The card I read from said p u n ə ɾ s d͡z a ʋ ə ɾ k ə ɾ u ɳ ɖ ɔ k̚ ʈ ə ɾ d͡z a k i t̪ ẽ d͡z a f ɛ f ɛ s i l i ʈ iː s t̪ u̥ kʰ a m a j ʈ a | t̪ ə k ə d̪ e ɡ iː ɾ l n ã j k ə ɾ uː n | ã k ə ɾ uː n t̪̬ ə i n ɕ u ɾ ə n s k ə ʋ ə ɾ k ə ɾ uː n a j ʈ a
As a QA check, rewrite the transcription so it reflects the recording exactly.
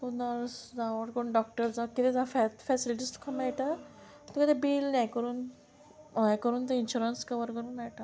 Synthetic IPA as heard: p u n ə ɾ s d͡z a ʋ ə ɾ k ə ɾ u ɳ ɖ ɔ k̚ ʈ ə ɾ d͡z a k i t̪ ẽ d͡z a f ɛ f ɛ s i l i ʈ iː s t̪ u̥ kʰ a m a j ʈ a | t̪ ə k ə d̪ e b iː l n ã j k ə ɾ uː n | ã k ə ɾ uː n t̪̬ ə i n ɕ u ɾ ə n s k ə ʋ ə ɾ k ə ɾ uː n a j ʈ a